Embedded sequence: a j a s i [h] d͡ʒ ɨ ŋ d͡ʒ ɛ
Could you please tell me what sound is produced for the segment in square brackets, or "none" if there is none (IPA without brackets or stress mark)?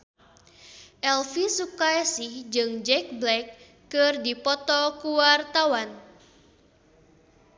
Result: h